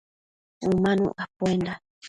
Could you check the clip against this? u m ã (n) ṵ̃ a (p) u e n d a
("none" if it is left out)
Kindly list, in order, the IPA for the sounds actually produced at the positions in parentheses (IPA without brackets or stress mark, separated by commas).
n, p